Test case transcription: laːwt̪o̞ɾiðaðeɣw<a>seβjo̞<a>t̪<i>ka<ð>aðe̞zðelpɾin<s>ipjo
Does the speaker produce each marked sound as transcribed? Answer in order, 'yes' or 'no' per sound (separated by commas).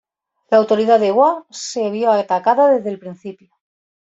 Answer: yes, yes, no, yes, no